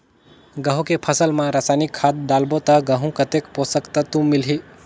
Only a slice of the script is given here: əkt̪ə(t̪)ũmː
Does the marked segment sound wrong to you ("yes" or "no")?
no